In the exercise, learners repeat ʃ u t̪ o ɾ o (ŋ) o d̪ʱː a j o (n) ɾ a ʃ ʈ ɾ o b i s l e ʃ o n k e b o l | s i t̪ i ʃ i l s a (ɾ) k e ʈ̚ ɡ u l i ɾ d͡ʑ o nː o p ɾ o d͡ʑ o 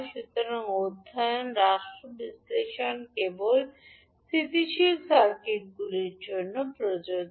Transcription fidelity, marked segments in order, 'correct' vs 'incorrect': correct, correct, correct

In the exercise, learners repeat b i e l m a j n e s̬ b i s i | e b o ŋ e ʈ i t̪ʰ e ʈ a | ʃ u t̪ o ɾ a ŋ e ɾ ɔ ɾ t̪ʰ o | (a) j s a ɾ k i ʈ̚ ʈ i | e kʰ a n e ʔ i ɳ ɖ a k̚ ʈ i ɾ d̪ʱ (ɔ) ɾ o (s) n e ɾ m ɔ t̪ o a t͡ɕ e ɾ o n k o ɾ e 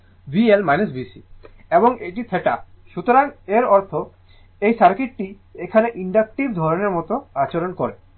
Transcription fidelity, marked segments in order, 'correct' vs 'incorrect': incorrect: e, correct, incorrect: none

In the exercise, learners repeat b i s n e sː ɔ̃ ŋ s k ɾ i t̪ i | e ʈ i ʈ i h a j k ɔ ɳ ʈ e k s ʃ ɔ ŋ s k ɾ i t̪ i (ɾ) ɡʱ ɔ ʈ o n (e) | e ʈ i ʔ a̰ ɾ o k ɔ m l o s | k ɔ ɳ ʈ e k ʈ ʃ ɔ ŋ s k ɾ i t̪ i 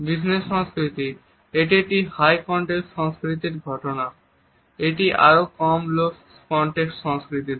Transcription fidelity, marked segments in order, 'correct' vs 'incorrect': correct, incorrect: a

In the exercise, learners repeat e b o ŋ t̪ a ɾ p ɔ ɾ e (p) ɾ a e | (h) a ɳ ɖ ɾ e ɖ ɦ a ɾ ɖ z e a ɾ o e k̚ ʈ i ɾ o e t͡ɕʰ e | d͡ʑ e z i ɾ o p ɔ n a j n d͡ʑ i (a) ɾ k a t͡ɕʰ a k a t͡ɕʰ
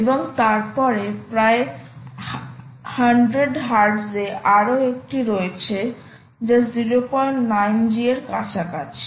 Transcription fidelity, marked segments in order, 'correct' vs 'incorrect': correct, correct, incorrect: e

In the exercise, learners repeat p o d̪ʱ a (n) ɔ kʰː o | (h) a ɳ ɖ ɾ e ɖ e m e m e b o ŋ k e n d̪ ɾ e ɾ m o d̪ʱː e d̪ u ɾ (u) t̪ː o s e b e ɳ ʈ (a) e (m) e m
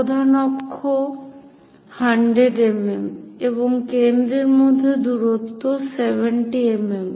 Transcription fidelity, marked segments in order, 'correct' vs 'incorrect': correct, correct, incorrect: o, incorrect: i, correct

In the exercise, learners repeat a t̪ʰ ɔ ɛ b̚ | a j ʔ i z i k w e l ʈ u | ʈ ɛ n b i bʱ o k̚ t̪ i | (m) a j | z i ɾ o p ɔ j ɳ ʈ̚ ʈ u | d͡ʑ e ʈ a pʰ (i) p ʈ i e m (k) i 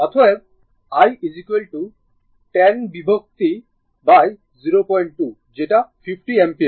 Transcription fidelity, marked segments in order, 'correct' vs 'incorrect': incorrect: b, correct, incorrect: p

